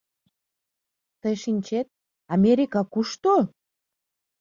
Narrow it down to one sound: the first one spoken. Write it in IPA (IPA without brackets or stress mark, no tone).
t̪